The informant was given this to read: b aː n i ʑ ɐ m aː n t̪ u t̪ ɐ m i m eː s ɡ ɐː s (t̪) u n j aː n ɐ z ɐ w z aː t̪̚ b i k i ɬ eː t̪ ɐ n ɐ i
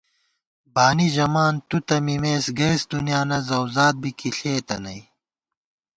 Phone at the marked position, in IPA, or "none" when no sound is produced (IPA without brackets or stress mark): d̪